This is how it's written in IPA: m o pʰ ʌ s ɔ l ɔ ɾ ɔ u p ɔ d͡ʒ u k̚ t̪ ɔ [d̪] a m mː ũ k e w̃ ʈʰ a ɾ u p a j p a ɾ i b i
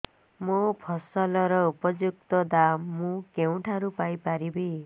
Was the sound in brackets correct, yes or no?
yes